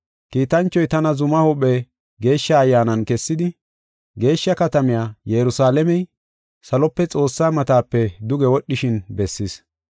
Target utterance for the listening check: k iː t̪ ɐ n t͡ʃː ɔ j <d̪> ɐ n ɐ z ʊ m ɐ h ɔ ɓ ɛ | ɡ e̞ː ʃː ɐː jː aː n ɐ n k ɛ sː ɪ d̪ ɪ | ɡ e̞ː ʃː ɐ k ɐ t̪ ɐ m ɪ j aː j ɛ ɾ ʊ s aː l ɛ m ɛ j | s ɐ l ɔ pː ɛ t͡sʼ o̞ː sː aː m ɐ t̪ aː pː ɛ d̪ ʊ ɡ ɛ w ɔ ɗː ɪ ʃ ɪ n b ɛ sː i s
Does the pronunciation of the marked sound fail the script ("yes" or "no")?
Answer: yes